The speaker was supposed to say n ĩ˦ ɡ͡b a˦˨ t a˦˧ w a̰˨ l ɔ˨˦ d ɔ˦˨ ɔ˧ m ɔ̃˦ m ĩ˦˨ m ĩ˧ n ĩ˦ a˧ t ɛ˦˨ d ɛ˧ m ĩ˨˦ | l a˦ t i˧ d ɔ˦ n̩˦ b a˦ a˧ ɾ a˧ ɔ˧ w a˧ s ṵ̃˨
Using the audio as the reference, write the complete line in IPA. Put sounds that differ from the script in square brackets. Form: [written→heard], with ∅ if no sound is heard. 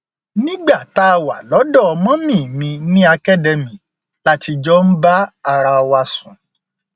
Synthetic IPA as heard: n ĩ˦ ɡ͡b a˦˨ t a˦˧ w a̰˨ l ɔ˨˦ d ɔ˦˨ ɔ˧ m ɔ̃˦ m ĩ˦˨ m ĩ˧ n ĩ˦ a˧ [t→k] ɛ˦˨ d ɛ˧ m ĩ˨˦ | l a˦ t i˧ [d→d͡ʒ] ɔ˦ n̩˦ b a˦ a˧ ɾ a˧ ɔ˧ w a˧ s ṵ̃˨